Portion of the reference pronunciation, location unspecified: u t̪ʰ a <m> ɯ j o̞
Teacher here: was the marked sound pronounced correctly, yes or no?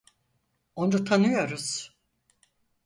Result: no